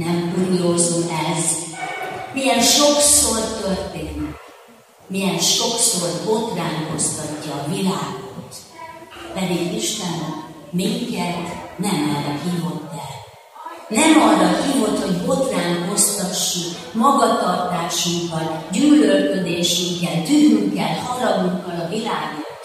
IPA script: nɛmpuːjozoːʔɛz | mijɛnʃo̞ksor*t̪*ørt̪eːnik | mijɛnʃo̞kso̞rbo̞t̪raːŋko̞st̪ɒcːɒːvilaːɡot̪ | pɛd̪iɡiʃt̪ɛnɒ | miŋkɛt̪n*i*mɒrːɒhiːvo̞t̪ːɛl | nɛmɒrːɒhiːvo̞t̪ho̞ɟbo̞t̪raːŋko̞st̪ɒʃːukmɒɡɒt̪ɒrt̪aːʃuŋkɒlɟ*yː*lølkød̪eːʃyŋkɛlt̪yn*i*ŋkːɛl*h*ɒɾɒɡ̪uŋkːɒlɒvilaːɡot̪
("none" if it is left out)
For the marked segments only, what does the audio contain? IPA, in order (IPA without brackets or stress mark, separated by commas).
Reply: t̪, ɛ, yː, y, h